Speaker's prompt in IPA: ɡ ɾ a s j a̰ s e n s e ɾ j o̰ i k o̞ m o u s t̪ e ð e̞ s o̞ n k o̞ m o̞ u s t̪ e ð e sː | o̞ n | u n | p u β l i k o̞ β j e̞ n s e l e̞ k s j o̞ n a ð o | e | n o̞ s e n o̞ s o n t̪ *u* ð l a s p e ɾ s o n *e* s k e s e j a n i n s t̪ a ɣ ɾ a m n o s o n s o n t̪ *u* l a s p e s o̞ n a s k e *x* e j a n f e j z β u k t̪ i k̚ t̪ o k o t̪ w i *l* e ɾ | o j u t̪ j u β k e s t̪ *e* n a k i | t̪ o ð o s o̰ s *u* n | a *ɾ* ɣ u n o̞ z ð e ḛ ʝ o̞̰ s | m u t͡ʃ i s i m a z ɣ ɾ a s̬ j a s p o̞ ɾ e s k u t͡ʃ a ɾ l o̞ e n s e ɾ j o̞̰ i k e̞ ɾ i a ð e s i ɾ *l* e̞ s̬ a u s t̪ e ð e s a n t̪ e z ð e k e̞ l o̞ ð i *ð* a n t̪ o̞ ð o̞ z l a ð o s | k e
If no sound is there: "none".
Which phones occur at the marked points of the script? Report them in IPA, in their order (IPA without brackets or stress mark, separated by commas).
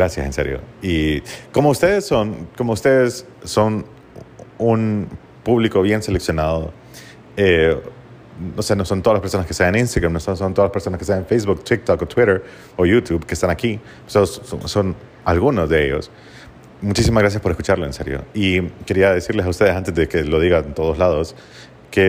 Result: o, a, o, s, ɾ, a, o, l, l, ɣ